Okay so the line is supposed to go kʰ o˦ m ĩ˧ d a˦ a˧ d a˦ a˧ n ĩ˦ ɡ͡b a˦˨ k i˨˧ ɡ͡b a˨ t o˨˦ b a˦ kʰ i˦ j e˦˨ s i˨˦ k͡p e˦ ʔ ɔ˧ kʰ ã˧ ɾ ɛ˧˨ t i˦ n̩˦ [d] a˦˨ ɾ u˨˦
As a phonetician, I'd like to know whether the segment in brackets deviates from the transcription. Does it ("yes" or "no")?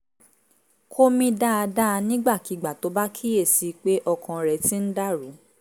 no